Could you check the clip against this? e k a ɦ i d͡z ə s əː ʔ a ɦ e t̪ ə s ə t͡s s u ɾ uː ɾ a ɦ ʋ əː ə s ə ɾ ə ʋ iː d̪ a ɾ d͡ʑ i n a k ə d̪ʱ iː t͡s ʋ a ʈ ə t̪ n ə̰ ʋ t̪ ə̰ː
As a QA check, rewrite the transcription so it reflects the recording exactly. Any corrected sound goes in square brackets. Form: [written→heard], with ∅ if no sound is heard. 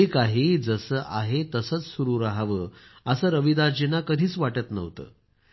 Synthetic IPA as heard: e k a ɦ i d͡z ə s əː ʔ a ɦ e t̪ ə s ə t͡s s u ɾ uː ɾ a ɦ ʋ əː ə s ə ɾ ə ʋ [iː→i] d̪ a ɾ d͡ʑ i n a k ə d̪ʱ iː t͡s ʋ a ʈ ə t̪ n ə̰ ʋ t̪ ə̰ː